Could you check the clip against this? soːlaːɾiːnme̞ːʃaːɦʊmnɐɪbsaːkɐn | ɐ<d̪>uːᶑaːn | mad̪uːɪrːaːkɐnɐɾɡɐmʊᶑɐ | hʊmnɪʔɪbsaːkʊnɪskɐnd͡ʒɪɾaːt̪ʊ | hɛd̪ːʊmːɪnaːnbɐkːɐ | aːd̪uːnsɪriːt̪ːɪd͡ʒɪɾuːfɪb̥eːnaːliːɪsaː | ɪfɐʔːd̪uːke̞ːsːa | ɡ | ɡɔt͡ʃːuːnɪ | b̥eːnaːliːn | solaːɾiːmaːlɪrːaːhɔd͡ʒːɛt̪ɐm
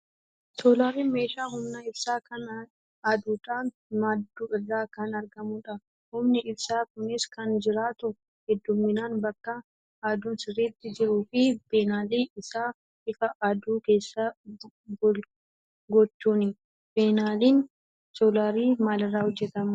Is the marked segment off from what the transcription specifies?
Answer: no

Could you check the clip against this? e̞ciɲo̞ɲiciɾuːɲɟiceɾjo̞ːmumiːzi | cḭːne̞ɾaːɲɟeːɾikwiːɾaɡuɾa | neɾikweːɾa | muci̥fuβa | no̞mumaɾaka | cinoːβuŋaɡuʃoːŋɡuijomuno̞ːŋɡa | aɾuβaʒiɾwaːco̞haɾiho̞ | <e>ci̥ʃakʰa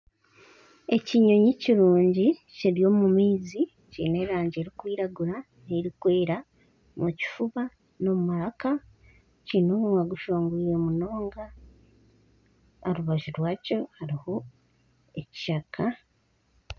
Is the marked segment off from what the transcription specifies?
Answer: no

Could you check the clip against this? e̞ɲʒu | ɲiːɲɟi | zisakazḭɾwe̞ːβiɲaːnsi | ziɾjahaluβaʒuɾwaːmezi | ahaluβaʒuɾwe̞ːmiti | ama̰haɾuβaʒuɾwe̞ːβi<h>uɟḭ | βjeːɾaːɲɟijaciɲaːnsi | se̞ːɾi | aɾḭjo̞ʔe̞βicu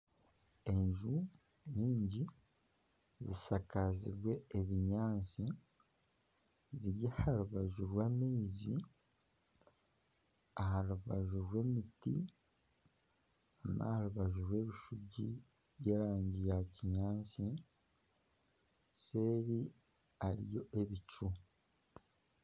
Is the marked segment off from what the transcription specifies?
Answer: yes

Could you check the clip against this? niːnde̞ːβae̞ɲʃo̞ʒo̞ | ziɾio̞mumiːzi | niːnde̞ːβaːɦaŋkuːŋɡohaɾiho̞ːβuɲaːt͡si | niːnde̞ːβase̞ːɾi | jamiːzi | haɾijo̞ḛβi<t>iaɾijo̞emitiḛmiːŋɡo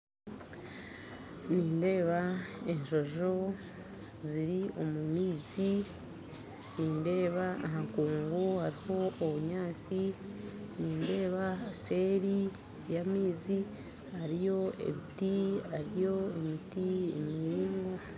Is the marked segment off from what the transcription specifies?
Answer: no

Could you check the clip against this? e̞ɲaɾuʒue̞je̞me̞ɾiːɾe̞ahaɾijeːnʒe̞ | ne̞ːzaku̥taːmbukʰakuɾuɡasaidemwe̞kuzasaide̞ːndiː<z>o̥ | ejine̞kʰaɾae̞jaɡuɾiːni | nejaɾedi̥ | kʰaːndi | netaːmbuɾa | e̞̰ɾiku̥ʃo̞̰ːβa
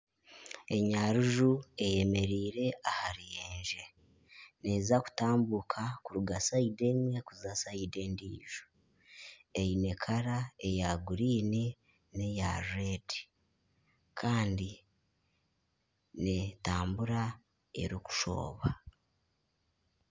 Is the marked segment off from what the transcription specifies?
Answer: yes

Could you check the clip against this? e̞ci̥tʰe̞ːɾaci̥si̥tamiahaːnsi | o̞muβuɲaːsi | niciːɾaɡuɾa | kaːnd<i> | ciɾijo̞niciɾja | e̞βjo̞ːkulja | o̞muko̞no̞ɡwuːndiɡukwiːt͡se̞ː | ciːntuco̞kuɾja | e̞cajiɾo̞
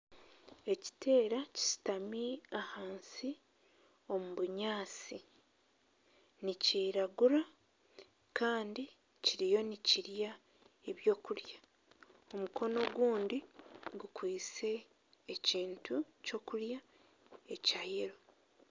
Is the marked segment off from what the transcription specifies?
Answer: no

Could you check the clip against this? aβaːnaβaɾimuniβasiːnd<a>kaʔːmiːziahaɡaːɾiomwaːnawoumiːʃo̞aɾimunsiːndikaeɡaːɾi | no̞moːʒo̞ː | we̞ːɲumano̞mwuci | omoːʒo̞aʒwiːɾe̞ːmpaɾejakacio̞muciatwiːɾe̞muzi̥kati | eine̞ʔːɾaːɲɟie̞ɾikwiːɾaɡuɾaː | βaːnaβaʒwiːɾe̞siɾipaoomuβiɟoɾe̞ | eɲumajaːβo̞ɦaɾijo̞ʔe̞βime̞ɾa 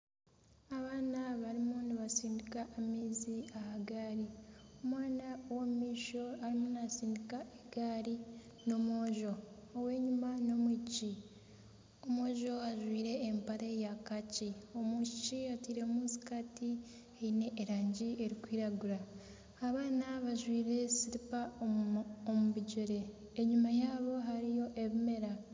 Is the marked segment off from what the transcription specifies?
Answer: yes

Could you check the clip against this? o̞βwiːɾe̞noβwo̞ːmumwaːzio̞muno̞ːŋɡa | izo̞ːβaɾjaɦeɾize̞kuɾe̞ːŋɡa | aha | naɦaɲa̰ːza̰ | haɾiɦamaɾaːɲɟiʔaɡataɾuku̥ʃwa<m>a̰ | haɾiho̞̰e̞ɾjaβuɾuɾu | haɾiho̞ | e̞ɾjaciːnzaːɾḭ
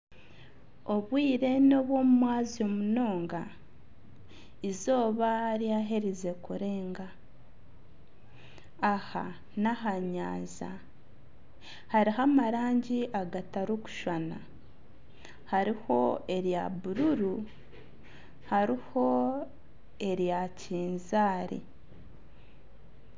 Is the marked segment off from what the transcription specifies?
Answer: yes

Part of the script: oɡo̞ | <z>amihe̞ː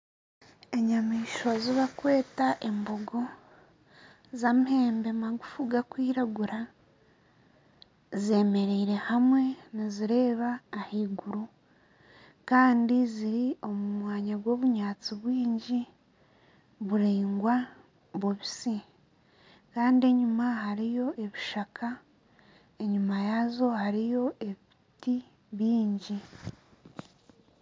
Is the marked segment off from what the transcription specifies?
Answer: no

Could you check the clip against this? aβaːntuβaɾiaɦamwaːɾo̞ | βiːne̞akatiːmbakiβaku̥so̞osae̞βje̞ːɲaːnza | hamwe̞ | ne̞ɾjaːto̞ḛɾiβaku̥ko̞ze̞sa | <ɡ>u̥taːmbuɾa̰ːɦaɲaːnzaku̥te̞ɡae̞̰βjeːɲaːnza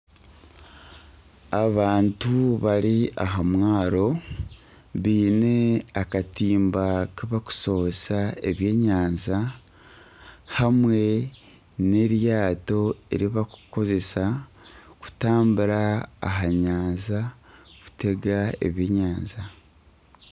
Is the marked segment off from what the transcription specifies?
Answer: yes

